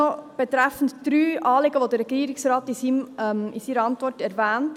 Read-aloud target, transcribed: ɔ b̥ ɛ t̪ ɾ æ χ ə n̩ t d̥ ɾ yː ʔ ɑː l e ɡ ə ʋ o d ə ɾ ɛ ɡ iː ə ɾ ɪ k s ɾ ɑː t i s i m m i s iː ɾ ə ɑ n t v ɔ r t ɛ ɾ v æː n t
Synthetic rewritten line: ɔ b̥ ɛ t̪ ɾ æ f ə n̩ t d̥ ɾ yː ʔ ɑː l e ɡ ə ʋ o d ə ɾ ɛ ɡ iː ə ɾ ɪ k s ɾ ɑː t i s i m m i s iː ɾ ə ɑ n t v ɔ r t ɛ ɾ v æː n t